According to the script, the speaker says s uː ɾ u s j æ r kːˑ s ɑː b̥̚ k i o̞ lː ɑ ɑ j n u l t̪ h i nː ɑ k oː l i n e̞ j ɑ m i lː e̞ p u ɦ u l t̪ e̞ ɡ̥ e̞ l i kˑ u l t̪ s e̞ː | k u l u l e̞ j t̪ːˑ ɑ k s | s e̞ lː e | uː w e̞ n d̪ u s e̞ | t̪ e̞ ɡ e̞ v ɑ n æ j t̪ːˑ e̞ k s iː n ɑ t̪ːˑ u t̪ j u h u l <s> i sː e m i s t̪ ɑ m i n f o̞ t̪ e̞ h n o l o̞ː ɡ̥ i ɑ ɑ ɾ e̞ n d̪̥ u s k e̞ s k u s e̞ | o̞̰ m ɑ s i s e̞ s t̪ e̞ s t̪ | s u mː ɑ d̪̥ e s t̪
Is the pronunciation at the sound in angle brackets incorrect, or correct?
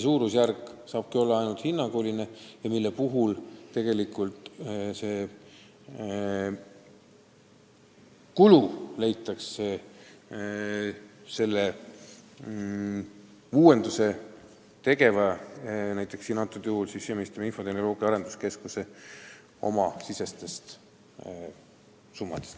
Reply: correct